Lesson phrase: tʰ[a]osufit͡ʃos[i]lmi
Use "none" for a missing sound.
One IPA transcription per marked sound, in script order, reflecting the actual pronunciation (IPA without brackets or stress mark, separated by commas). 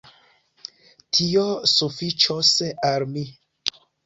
i, a